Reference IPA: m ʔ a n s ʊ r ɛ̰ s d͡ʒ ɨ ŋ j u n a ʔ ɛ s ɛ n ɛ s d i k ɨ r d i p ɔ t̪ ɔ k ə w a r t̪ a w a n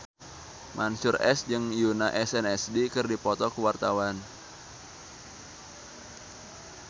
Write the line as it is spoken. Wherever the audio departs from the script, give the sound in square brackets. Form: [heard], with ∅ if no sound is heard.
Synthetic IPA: m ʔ a n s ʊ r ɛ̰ s d͡ʒ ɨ ŋ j u n a ʔ ɛ s ɛ n ɛ s d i k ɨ r d i p ɔ t̪ ɔ k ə w a r t̪ a w a n

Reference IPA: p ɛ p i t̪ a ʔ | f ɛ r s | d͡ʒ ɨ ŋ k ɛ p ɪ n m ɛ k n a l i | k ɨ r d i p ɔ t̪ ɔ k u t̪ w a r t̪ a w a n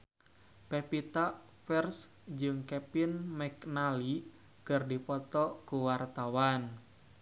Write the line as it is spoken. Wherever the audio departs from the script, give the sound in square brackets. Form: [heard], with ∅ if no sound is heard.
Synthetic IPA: p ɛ p i t̪ a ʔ | f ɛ r s | d͡ʒ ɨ ŋ k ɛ p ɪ n m ɛ k n a l i | k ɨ r d i p ɔ t̪ ɔ k u [∅] w a r t̪ a w a n

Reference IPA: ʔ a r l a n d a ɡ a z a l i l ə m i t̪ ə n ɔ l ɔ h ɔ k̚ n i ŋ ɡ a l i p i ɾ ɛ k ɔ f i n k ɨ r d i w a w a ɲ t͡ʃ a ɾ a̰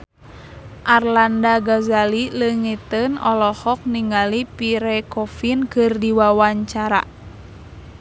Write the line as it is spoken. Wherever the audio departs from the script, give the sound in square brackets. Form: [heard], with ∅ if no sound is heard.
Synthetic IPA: ʔ a r l a n d a ɡ a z a l i l ə [ŋ] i t̪ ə n ɔ l ɔ h ɔ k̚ n i ŋ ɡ a l i p i ɾ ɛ k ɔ f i n k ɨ r d i w a w a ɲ t͡ʃ a ɾ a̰

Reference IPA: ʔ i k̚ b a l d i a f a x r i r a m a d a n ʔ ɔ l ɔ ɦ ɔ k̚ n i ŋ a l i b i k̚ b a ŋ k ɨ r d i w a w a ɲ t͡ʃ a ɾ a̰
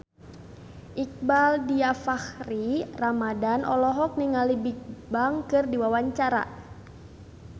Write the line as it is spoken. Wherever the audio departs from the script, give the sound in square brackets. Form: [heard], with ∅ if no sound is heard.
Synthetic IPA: ʔ i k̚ b a l d i a f a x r i r a m a d a n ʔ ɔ l ɔ ɦ ɔ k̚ n i ŋ a l i b i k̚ b a ŋ k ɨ r d i w a w a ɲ t͡ʃ a ɾ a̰

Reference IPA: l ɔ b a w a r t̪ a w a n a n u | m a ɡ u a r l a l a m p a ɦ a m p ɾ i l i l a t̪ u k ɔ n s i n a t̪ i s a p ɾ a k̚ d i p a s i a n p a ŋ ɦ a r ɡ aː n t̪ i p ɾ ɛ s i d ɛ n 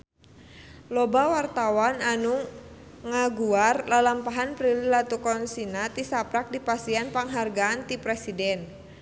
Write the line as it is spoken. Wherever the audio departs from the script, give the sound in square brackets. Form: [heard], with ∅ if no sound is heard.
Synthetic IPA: l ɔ b a w a r t̪ a w a n a n u | [ŋ] a ɡ u a r l a l a m p a ɦ a [n] p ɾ i l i l a t̪ u k ɔ n s i n a t̪ i s a p ɾ a k̚ d i p a s i a n p a ŋ ɦ a r ɡ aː n t̪ i p ɾ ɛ s i d ɛ n

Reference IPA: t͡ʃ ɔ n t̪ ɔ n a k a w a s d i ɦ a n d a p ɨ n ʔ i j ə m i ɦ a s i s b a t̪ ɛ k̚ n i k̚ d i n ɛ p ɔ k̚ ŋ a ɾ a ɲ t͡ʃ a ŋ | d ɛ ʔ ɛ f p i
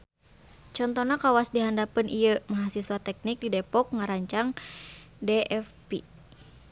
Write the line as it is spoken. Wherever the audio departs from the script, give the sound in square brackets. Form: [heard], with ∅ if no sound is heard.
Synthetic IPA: t͡ʃ ɔ n t̪ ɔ n a k a w a s d i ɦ a n d a p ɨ n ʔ i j ə m [a] ɦ a s i s [w] a t̪ ɛ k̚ n i k̚ d i [d] ɛ p ɔ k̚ ŋ a ɾ a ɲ t͡ʃ a ŋ | d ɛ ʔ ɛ f p i

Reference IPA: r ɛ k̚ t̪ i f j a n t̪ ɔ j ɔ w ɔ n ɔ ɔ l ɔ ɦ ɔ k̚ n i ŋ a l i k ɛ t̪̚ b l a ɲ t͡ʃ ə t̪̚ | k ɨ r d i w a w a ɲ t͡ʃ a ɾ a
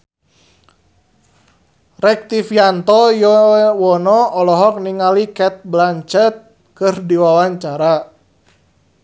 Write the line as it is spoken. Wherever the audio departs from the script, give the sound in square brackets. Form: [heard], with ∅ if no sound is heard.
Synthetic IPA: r ɛ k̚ t̪ i f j a n t̪ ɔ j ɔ w ɔ n ɔ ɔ l ɔ ɦ ɔ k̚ n i ŋ a l i k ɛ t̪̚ b l a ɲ t͡ʃ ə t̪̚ | k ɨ r d i w a w a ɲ t͡ʃ a ɾ a

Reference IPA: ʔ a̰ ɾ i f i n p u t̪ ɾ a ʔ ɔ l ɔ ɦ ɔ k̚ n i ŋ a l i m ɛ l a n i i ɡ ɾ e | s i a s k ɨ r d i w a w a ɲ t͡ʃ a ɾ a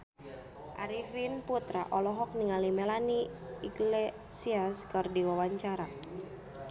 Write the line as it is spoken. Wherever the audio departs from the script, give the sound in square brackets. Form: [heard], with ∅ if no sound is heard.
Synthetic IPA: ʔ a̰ ɾ i f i n p u t̪ ɾ a ʔ ɔ l ɔ ɦ ɔ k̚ n i ŋ a l i m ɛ l a n i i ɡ [l] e | s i a s k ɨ r d i w a w a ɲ t͡ʃ a ɾ a

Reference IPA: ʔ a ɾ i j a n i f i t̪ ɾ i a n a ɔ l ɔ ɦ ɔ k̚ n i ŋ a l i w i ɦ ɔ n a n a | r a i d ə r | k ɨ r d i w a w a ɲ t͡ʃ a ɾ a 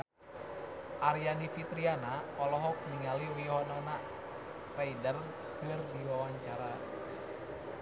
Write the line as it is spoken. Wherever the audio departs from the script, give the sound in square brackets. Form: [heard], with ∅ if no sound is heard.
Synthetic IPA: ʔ a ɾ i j a n i f i t̪ ɾ i a n a ɔ l ɔ ɦ ɔ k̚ n i ŋ a l i w i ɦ ɔ n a n a | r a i d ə r | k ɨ r d i w a w a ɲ t͡ʃ a ɾ a

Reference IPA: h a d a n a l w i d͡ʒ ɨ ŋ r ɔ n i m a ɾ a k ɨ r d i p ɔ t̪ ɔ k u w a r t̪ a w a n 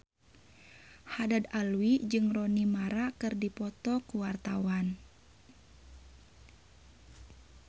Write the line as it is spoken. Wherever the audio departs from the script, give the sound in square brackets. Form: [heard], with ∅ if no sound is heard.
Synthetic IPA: h a d a [d] a l w i d͡ʒ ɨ ŋ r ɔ n i m a ɾ a k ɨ r d i p ɔ t̪ ɔ k u w a r t̪ a w a n

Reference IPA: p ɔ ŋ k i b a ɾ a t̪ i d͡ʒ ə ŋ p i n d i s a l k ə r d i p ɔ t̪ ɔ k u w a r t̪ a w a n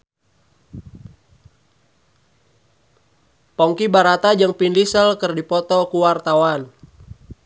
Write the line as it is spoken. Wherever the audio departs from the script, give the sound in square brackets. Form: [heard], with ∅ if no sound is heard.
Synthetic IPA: p ɔ ŋ k i b a ɾ a t̪ [a] d͡ʒ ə ŋ p i n d i s [ə] l k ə r d i p ɔ t̪ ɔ k u w a r t̪ a w a n

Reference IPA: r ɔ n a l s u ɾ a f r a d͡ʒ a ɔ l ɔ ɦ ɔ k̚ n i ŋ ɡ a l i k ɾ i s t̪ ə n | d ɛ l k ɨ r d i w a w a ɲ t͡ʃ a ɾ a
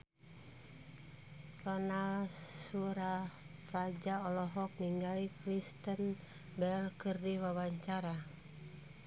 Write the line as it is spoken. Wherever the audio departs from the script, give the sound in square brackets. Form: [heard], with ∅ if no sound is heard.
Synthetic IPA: r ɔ n a l s u ɾ a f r a d͡ʒ a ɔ l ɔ ɦ ɔ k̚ n i ŋ ɡ a l i k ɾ i s t̪ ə n | [b] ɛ l k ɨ r d i w a w a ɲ t͡ʃ a ɾ a

